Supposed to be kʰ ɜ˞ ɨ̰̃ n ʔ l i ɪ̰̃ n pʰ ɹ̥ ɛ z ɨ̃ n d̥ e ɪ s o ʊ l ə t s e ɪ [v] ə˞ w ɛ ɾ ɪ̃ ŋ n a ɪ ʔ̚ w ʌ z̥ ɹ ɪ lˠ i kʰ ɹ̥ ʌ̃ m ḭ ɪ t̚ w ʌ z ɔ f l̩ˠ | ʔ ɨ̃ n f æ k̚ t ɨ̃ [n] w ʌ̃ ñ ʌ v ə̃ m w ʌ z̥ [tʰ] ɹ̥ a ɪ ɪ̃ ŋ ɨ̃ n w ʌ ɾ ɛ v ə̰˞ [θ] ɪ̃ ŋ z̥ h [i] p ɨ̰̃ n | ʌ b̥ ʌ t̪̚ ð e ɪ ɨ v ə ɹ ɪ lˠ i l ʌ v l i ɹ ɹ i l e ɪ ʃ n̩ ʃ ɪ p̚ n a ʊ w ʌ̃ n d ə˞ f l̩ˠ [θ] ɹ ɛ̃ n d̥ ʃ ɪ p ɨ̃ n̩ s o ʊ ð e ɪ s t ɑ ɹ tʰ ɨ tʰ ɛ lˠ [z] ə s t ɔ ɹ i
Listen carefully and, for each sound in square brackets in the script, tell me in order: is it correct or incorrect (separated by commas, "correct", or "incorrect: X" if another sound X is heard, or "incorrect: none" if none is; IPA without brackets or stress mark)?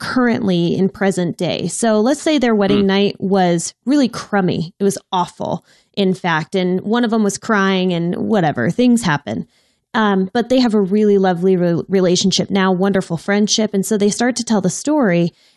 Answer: incorrect: ð, correct, incorrect: kʰ, correct, incorrect: æ, incorrect: f, incorrect: ð